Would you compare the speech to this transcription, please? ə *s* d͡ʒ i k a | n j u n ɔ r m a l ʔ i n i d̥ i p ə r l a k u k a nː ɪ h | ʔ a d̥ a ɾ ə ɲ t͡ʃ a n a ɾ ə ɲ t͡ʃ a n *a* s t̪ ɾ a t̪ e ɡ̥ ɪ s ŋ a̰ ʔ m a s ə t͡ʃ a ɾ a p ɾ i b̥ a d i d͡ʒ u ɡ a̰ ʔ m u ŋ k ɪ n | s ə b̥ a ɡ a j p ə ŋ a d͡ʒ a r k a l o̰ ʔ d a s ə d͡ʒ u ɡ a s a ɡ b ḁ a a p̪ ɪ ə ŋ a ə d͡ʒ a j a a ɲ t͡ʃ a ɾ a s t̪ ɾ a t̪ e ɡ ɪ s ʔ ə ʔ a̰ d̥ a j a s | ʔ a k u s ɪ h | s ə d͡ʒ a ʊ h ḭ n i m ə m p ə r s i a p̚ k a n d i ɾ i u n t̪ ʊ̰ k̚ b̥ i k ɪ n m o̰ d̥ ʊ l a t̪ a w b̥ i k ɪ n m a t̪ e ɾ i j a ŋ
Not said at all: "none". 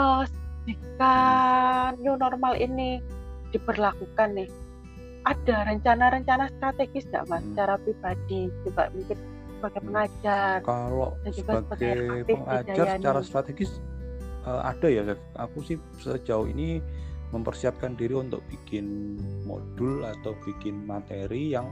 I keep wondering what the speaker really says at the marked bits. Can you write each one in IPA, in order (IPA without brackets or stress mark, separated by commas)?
s, a